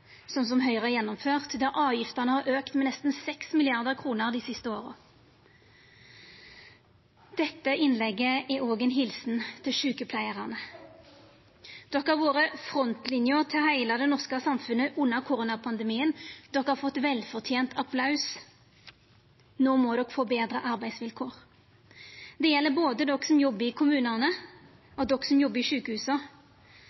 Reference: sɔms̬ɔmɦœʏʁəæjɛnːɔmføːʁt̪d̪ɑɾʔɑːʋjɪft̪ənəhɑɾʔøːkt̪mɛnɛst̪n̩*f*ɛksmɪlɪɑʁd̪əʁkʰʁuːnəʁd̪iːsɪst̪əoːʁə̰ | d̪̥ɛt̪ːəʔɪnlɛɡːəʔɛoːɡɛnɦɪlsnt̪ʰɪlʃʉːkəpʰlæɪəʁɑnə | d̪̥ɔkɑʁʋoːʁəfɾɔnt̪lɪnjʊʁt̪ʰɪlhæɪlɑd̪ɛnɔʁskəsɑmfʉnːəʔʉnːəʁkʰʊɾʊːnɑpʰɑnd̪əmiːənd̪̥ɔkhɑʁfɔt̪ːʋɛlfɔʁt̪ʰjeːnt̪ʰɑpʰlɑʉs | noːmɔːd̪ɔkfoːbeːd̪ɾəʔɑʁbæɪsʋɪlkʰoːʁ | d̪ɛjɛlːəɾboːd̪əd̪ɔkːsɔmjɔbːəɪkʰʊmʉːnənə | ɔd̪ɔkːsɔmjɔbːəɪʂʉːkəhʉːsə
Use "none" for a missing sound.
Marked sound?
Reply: s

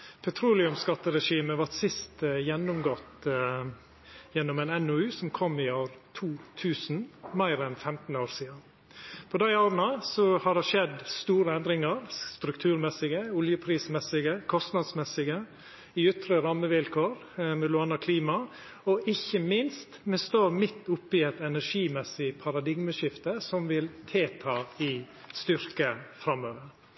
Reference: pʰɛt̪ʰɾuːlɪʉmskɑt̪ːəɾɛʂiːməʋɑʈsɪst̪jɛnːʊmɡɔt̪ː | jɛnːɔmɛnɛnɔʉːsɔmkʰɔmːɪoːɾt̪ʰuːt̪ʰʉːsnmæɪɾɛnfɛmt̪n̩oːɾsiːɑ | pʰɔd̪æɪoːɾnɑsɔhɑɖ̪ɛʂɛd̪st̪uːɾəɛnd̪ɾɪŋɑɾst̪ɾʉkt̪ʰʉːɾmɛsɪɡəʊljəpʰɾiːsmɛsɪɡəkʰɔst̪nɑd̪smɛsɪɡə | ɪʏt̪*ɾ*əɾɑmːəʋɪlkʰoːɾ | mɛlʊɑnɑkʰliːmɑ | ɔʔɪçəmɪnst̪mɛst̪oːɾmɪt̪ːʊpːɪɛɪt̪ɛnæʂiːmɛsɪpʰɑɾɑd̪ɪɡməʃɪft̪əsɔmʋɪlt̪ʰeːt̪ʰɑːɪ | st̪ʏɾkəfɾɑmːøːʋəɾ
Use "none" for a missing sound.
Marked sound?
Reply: ɾ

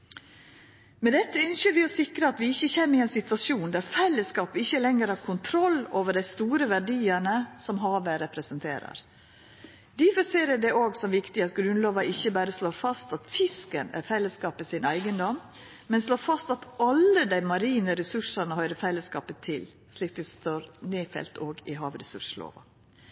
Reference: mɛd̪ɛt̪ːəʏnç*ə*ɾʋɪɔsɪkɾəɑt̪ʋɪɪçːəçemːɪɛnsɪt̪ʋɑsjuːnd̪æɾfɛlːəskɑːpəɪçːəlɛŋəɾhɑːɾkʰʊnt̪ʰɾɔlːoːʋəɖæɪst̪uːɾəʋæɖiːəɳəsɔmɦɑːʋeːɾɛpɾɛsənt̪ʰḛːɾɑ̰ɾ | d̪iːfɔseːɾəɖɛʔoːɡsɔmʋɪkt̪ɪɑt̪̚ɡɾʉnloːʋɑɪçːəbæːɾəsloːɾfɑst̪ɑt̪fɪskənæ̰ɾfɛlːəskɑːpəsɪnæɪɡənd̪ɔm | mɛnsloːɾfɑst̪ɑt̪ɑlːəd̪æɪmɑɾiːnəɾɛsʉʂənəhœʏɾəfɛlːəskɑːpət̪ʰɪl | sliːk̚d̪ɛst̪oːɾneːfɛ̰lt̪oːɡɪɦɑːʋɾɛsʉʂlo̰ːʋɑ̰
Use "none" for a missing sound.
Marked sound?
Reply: ə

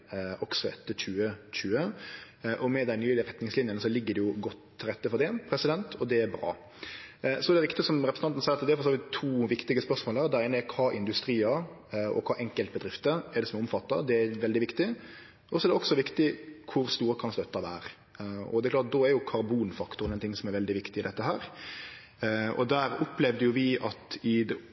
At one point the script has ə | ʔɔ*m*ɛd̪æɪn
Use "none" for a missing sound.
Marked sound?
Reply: m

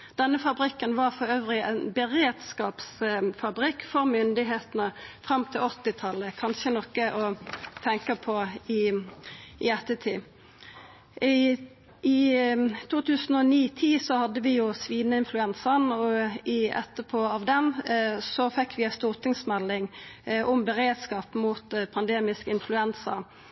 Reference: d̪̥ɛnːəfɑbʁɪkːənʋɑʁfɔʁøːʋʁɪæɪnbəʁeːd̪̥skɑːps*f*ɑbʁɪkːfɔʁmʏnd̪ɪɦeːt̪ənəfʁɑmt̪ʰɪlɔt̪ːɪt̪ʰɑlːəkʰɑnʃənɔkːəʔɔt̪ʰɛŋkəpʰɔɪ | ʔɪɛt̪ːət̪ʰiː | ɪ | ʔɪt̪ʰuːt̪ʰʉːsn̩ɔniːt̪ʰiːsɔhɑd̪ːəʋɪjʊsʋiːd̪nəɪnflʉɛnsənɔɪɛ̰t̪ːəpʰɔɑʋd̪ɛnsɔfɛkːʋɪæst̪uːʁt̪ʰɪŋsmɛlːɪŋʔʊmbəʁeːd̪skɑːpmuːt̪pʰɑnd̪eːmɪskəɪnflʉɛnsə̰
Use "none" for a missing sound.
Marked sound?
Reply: f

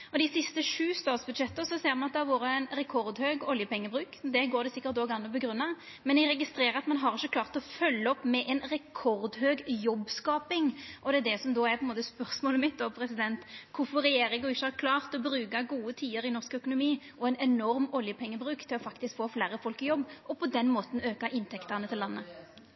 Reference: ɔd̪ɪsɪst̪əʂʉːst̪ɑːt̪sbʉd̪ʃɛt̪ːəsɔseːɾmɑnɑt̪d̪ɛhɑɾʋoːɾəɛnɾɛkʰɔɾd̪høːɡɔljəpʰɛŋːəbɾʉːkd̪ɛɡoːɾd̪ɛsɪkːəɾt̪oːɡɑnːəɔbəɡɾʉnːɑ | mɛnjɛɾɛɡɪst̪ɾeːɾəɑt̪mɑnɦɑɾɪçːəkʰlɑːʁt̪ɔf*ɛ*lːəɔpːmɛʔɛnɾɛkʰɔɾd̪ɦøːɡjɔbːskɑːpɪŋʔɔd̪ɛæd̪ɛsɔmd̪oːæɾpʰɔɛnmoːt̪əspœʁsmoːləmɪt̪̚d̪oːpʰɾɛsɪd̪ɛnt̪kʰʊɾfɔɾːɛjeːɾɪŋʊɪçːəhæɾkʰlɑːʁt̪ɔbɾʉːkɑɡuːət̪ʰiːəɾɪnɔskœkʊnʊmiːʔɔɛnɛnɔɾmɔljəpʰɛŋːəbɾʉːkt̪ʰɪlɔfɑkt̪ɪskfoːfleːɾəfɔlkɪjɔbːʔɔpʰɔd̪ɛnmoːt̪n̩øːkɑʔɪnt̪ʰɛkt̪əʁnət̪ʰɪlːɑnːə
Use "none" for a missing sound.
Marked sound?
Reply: œ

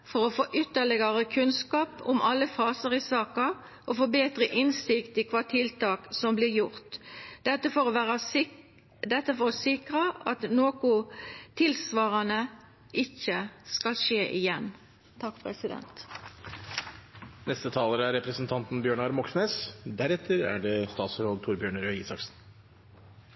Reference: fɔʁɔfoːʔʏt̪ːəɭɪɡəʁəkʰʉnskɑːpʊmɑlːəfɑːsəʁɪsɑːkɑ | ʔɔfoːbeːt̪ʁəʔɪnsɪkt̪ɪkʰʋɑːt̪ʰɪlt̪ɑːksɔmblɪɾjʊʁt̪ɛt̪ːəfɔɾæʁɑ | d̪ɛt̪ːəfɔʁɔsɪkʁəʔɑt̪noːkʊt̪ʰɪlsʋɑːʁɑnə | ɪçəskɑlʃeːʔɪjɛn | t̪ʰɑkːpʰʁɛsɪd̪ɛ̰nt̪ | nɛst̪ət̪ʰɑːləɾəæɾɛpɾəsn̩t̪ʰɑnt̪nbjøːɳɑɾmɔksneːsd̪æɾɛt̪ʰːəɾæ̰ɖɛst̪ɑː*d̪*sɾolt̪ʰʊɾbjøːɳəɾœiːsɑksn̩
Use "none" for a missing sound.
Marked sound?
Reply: t̪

